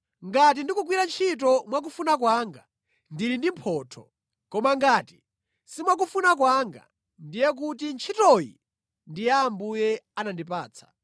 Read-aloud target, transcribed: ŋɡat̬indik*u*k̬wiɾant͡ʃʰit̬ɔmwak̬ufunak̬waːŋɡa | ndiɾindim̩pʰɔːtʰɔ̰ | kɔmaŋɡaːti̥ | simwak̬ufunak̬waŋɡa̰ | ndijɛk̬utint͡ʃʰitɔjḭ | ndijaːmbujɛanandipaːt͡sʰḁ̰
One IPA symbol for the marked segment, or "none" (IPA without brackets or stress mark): u